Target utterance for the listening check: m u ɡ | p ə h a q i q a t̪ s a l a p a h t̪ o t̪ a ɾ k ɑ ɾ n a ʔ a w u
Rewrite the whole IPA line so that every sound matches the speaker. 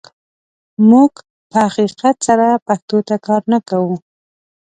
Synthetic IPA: m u ɡ | p ə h a q i q a t̪ s a ɾ a p a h t̪ o t̪ a k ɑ ɾ n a k a w u